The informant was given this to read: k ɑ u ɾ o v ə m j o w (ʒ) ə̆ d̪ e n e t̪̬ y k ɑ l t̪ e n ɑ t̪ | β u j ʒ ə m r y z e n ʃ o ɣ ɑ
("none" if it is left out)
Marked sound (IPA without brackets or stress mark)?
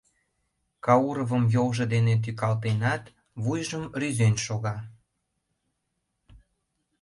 ʒ